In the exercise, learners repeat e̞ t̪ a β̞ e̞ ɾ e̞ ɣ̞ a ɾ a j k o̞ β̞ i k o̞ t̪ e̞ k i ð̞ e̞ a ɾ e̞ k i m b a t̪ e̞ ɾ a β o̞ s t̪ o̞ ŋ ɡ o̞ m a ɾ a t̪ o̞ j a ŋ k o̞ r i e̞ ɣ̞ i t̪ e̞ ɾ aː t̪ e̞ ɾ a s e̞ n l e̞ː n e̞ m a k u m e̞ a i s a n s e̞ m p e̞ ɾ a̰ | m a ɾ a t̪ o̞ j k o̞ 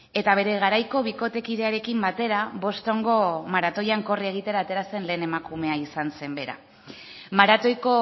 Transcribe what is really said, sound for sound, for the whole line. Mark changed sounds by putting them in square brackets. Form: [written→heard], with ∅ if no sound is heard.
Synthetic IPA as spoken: e̞ t̪ a β̞ e̞ ɾ e̞ ɣ̞ a ɾ a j k o̞ β̞ i k o̞ t̪ e̞ k i ð̞ e̞ a ɾ e̞ k i m b a t̪ e̞ ɾ a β o̞ s t̪ o̞ ŋ ɡ o̞ m a ɾ a t̪ o̞ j a ŋ k o̞ r i e̞ ɣ̞ i t̪ e̞ ɾ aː t̪ e̞ ɾ a s e̞ n l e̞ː n e̞ m a k u m e̞ a i s a n s e̞ m [p→b] e̞ ɾ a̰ | m a ɾ a t̪ o̞ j k o̞